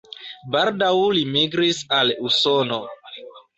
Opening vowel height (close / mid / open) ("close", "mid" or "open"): open